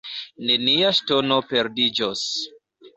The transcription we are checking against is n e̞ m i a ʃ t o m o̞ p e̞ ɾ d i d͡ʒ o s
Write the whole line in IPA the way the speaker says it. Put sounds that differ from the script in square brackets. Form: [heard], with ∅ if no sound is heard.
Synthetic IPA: n e̞ [n] i a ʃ t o [n] o̞ p e̞ ɾ d i d͡ʒ o s